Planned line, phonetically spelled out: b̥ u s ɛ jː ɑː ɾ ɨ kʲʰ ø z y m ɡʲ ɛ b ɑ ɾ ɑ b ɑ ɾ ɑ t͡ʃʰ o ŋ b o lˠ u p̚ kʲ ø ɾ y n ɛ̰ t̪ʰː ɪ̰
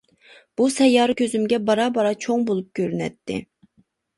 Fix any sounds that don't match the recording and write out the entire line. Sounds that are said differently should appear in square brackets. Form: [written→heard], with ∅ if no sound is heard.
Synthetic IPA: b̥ u s ɛ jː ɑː ɾ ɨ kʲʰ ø z y m ɡʲ ɛ b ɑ ɾ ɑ b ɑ ɾ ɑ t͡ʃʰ o ŋ b o lˠ u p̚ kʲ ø ɾ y n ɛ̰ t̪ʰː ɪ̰